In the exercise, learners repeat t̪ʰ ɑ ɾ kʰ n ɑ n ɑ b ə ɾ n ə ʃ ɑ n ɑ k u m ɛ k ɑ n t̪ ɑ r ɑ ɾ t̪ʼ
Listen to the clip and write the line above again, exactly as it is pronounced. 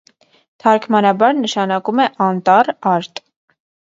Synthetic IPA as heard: t̪ʰ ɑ ɾ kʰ m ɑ n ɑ b ɑ ɾ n ə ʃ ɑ n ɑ k u m ɛ ʔ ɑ n t̪ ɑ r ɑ ɾ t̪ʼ